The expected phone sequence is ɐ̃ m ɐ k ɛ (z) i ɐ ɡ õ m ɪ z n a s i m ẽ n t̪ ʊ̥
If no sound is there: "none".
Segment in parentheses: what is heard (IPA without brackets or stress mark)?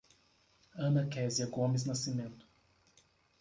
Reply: z